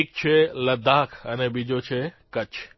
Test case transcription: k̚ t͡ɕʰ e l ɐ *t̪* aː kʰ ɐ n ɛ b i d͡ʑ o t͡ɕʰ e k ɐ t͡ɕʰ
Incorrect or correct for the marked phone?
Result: incorrect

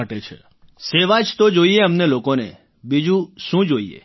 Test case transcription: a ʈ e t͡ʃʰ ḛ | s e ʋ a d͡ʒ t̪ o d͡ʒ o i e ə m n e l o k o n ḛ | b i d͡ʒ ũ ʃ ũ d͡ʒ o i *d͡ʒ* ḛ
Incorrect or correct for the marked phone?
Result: incorrect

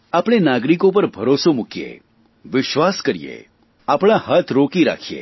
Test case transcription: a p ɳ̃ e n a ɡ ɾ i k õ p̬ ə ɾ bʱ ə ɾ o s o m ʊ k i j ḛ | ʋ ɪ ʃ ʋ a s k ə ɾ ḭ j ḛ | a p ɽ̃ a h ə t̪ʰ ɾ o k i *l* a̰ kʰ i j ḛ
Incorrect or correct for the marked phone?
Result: incorrect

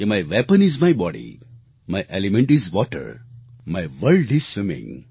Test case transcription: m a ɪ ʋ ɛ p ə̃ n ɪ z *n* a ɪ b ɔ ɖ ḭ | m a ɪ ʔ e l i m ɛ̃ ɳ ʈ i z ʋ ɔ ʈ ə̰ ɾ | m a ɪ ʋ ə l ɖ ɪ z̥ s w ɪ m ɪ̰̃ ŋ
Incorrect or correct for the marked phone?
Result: incorrect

